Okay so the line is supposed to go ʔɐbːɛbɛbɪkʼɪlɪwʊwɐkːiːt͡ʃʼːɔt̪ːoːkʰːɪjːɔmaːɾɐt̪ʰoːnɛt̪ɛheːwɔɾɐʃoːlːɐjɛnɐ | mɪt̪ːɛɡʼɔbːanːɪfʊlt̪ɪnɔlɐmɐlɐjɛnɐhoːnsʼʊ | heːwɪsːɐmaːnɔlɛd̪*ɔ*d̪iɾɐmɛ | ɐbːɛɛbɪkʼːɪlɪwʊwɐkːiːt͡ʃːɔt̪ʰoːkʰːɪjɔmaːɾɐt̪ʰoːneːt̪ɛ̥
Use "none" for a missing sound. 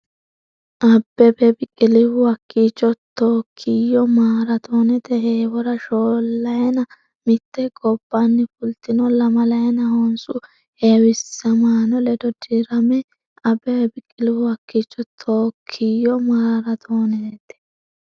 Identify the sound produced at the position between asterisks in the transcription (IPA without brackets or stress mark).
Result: ɔ